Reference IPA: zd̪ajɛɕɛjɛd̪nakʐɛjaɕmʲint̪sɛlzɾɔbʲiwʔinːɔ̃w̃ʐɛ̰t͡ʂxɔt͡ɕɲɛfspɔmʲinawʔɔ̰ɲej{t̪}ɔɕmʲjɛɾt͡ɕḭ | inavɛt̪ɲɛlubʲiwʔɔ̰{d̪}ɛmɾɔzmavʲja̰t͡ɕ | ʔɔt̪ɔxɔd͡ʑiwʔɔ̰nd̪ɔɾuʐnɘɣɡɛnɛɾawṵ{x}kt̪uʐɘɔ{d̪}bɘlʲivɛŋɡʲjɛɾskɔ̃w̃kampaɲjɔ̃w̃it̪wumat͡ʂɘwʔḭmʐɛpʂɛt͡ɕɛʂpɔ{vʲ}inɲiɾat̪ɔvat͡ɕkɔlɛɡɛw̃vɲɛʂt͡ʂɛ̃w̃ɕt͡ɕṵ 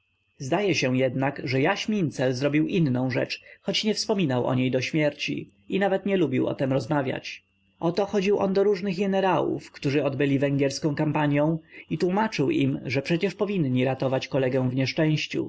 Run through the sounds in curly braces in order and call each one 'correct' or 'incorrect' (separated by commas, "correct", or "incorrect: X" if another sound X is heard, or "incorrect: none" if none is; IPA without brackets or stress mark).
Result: incorrect: d̪, incorrect: t̪, incorrect: f, correct, correct